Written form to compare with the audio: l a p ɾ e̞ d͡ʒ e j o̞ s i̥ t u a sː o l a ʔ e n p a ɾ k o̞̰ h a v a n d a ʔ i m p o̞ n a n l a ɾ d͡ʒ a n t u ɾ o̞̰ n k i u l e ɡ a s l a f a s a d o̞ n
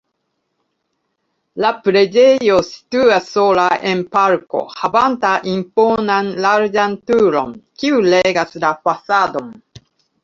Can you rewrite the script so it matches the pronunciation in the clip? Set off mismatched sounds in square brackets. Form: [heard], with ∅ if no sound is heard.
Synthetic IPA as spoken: l a p ɾ e̞ d͡ʒ e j o̞ s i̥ t u a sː o l a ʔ e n p a ɾ k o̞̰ h a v a n [t] a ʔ i m p o̞ n a n l a ɾ d͡ʒ a n t u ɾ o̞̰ n k i u l e ɡ a s l a f a s a d o̞ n